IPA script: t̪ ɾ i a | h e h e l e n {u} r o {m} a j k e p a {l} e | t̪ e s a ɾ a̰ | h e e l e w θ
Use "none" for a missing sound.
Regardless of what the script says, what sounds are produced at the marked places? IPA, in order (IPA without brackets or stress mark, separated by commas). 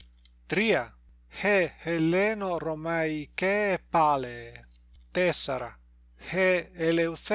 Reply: o, m, l